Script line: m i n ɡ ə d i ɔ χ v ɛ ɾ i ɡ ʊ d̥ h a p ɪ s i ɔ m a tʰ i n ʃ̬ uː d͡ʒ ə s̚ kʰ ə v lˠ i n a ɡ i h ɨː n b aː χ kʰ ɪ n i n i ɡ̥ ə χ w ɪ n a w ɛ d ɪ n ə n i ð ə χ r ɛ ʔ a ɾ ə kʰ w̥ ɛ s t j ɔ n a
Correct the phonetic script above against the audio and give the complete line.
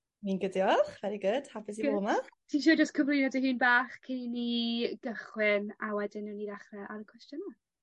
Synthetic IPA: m i n ɡ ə d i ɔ χ v ɛ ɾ i ɡ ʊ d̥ h a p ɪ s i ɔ m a tʰ i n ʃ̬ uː d͡ʒ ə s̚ kʰ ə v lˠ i n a d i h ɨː n b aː χ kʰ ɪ n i n i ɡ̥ ə χ w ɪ n a w ɛ d ɪ n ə n i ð a χ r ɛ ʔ a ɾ ə kʰ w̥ ɛ s t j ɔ n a